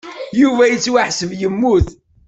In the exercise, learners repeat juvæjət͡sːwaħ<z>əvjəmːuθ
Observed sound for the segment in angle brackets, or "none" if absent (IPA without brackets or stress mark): s